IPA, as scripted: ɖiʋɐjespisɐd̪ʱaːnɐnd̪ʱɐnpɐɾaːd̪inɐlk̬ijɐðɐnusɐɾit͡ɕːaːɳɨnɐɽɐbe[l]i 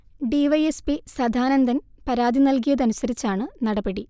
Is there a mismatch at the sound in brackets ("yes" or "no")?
yes